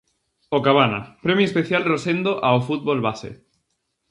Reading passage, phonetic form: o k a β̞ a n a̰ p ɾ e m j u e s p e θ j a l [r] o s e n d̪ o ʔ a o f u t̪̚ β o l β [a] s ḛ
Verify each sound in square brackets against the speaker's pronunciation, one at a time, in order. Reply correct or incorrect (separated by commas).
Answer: correct, correct